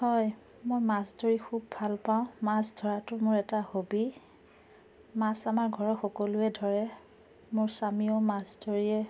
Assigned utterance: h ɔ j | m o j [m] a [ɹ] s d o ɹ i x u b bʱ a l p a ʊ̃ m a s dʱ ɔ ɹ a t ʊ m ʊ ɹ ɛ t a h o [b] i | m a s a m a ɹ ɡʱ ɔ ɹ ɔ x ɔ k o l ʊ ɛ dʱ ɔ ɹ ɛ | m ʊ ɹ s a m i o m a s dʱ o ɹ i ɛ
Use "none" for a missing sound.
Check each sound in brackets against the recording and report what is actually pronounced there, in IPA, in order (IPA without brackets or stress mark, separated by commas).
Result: m, none, b